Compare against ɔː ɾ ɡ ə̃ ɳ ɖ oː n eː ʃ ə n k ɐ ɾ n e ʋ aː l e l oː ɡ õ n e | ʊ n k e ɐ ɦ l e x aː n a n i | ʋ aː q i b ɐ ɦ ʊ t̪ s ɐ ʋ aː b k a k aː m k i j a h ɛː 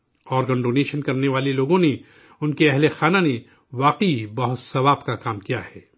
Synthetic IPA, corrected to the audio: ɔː ɾ ɡ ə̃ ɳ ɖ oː n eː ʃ ə n k ɐ ɾ n e ʋ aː l e l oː ɡ õ n e | ʊ n k e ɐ ɦ l e x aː n a n e | ʋ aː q i b ɐ ɦ ʊ t̪ s ɐ ʋ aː b k a k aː m k i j a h ɛː